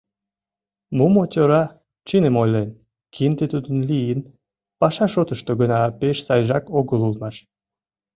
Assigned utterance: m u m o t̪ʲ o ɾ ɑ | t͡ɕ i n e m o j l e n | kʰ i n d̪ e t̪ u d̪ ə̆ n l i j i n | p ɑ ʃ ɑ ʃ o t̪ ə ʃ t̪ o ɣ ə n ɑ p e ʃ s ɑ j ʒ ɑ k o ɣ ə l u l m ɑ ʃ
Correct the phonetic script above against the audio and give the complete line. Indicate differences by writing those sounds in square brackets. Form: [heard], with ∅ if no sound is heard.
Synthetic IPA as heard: m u m o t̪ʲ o ɾ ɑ | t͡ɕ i n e m o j l e n | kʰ i n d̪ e t̪ u d̪ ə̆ n l i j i n | p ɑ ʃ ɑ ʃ o t̪ ə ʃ t̪ o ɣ ə n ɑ p e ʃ s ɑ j ʒ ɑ k o ɣ ə l u l m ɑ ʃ